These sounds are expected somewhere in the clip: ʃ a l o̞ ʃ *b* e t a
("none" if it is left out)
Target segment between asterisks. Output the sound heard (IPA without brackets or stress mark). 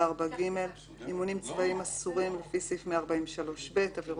b